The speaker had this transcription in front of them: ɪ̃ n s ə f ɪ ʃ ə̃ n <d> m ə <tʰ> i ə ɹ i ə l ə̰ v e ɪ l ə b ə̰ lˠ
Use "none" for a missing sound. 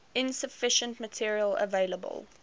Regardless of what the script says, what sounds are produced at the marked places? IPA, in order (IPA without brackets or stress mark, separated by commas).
t, tʰ